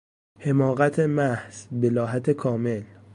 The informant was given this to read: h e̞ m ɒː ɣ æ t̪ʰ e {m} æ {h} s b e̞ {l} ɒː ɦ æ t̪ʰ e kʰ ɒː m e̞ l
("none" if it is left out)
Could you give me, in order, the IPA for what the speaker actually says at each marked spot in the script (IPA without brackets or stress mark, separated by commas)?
m, h, l